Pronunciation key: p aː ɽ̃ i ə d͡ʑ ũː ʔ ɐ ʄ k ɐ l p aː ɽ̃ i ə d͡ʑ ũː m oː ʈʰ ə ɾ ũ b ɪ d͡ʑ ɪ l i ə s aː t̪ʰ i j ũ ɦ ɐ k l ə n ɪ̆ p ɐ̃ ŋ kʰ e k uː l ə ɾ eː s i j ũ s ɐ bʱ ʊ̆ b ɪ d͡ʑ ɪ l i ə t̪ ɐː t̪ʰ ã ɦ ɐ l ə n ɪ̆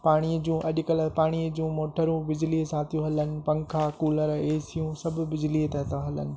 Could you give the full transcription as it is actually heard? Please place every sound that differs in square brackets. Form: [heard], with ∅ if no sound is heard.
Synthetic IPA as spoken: p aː ɽ̃ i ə d͡ʑ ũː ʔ ɐ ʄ k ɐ l p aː ɽ̃ i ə d͡ʑ ũː m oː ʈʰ ə ɾ ũ b ɪ d͡ʑ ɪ l i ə s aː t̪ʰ i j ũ ɦ ɐ [∅] l ə n ɪ̆ p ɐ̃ ŋ kʰ [a] k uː l ə ɾ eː s i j ũ s ɐ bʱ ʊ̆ b ɪ d͡ʑ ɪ l i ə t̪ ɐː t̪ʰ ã ɦ ɐ l ə n ɪ̆